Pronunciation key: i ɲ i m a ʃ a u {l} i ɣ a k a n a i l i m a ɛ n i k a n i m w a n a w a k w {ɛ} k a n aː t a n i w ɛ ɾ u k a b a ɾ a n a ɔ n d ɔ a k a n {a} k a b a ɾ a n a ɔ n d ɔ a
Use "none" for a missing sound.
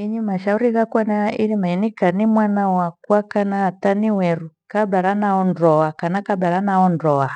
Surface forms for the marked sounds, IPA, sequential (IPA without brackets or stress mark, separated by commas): ɾ, a, a